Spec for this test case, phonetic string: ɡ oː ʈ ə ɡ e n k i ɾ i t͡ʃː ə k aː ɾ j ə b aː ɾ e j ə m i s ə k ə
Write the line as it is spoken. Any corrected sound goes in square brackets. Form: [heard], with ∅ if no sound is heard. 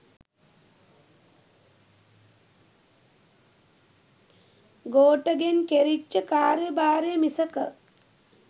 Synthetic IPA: ɡ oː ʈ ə ɡ e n k [e] ɾ i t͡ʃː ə k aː ɾ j ə b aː ɾ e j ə m i s ə k ə